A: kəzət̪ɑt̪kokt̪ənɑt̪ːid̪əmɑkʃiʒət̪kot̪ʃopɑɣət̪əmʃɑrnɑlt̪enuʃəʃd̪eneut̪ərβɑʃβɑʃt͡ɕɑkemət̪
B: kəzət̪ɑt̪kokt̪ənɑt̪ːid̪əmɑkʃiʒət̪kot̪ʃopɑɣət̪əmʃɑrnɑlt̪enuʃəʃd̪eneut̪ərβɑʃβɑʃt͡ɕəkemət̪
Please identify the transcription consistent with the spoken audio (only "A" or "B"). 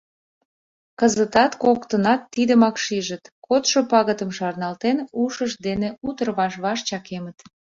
A